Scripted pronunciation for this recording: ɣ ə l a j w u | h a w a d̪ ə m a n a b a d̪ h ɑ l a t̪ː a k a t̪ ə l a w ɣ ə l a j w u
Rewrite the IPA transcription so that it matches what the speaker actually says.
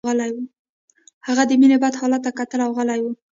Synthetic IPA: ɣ ə l a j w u | h a ɣ a d̪ ə m i n e b a d̪ h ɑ l a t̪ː a k a t̪ ə l a w ɣ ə l a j w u